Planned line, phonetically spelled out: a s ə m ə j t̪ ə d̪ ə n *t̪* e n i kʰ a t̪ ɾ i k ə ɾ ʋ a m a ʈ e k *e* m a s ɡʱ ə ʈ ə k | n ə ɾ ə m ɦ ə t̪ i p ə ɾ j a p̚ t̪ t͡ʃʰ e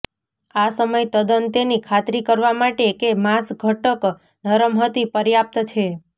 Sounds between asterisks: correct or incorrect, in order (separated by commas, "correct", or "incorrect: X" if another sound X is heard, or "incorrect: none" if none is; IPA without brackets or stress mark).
correct, correct